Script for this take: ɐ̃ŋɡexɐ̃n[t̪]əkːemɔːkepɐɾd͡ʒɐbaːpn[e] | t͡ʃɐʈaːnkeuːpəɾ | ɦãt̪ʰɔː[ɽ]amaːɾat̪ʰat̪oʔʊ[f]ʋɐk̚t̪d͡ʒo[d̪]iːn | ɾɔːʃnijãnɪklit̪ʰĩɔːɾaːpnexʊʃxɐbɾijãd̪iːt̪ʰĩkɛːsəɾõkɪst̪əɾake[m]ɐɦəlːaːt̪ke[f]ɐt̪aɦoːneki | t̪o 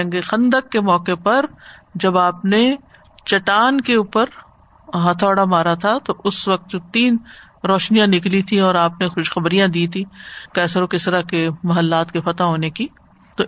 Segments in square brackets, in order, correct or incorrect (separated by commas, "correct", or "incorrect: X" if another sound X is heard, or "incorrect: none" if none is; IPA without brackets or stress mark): incorrect: d̪, correct, correct, incorrect: s, incorrect: t̪, correct, correct